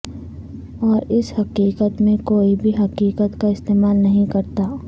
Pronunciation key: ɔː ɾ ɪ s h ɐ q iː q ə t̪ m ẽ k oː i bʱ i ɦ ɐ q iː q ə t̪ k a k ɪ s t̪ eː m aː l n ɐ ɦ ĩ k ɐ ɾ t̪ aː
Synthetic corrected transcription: ɔː ɾ ɪ s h ɐ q iː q ə t̪ m ẽ k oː i bʱ i ɦ ɐ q iː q ə t̪ k a ɪ s t̪ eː m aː l n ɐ ɦ ĩ k ɐ ɾ t̪ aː